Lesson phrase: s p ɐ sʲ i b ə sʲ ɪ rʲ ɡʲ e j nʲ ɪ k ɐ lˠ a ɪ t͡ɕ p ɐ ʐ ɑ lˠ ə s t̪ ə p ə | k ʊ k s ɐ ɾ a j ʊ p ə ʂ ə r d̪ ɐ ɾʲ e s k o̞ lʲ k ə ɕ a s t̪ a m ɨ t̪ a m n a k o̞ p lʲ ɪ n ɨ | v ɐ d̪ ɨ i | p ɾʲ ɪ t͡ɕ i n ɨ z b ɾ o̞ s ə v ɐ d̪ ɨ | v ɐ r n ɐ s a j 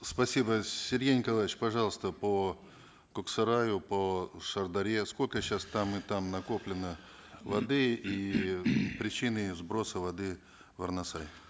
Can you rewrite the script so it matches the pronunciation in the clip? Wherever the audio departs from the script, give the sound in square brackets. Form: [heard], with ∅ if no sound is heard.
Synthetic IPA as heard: s p ɐ sʲ i b ə sʲ ɪ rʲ ɡʲ e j nʲ ɪ k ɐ lˠ a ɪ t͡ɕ p ɐ ʐ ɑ lˠ ə s t̪ ə p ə | k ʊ k s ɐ ɾ a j ʊ p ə ʂ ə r d̪ ɐ ɾʲ e s k o̞ lʲ k ə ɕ a s t̪ a m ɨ t̪ a m n [ɐ] k o̞ p lʲ ɪ n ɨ | v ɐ d̪ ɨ i | p ɾʲ ɪ t͡ɕ i n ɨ z b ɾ o̞ s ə v ɐ d̪ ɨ | v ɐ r n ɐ s a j

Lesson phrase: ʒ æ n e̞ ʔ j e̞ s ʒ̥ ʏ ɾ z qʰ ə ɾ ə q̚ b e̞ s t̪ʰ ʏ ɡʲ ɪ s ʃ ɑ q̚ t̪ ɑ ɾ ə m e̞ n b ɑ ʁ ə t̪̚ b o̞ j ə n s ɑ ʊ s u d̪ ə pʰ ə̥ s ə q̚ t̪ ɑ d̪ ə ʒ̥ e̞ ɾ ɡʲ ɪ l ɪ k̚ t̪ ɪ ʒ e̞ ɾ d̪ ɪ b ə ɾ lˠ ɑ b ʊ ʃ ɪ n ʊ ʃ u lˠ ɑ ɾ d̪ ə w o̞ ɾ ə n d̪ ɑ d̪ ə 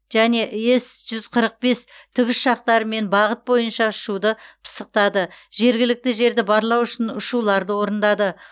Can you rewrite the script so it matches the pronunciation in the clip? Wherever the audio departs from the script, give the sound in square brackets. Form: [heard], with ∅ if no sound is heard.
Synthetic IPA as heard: ʒ æ n e̞ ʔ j e̞ s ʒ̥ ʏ [∅] z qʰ ə ɾ ə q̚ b e̞ s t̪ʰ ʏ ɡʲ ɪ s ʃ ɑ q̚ t̪ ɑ ɾ ə m e̞ n b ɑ ʁ ə t̪̚ b o̞ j ə n [ʃ] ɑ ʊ [ʃ] u d̪ ə pʰ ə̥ s ə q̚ t̪ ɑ d̪ ə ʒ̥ e̞ ɾ ɡʲ ɪ l ɪ k̚ t̪ ɪ ʒ e̞ ɾ d̪ ɪ b [ɑ] ɾ lˠ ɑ [w] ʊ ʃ ɪ n ʊ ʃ u lˠ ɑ ɾ d̪ ə w o̞ ɾ ə n d̪ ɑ d̪ ə

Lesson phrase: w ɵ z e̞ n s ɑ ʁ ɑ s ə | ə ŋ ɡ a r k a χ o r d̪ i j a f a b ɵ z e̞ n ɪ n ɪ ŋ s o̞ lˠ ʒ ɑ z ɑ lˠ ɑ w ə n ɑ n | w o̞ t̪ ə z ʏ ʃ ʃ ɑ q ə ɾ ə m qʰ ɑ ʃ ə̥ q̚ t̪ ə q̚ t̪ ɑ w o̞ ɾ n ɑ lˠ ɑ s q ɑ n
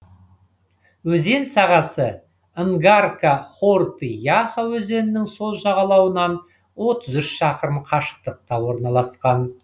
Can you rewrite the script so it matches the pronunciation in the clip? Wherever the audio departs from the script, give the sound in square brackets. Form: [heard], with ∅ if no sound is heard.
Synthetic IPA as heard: w ɵ z e̞ n s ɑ ʁ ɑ s ə | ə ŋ ɡ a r k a χ o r [t̪] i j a [χ] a [w] ɵ z e̞ n ɪ n ɪ ŋ s o̞ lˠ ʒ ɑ [ʁ] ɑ lˠ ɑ w ə n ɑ n | w o̞ t̪ ə z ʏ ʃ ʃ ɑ q ə ɾ ə m qʰ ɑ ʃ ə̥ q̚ t̪ ə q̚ t̪ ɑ w o̞ ɾ n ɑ lˠ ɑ s q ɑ n

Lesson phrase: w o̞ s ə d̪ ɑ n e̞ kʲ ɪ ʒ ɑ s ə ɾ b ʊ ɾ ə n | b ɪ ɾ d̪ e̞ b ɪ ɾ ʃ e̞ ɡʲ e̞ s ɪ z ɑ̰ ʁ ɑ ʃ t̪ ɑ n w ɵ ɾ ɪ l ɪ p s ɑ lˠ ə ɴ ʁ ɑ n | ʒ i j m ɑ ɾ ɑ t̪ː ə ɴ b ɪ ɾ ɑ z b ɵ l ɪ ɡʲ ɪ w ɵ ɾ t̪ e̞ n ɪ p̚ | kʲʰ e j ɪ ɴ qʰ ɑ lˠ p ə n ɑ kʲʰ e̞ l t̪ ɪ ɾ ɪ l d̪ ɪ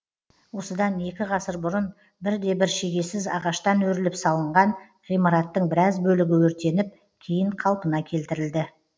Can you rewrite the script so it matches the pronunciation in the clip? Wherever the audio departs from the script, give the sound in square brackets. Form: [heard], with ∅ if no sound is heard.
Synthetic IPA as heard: w o̞ s ə d̪ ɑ n e̞ kʲ ɪ [ʁ] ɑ s ə ɾ b ʊ ɾ ə n | b ɪ ɾ d̪ e̞ b ɪ ɾ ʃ e̞ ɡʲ e̞ s ɪ z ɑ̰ ʁ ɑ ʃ t̪ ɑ n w ɵ ɾ ɪ l ɪ p s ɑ lˠ ə ɴ ʁ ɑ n | [ʁ] i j m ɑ ɾ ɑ t̪ː ə ɴ b ɪ ɾ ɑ z b ɵ l ɪ ɡʲ ɪ w ɵ ɾ t̪ e̞ n ɪ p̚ | kʲʰ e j ɪ ɴ qʰ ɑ lˠ p ə n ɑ kʲʰ e̞ l t̪ ɪ ɾ ɪ l d̪ ɪ

